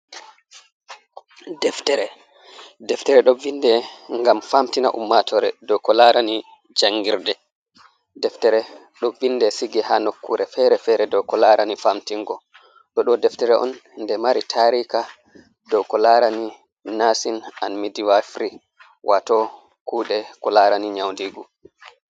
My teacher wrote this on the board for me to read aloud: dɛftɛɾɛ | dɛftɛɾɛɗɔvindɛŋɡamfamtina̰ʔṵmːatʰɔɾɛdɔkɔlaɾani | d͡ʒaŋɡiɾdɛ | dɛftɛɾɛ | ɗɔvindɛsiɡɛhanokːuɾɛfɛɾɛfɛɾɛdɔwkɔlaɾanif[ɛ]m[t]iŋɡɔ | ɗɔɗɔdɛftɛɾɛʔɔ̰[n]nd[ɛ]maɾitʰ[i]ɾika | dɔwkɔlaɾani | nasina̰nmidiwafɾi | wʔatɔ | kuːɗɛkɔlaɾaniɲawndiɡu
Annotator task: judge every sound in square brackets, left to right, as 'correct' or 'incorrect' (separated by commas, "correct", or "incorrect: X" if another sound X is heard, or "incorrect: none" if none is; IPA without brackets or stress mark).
incorrect: a, correct, correct, correct, incorrect: a